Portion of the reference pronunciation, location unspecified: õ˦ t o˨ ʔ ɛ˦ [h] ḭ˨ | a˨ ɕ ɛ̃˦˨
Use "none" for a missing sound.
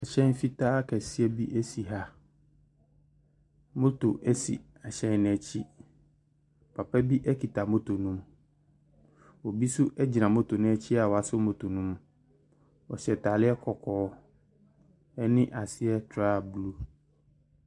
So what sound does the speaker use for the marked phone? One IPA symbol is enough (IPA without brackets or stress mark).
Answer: s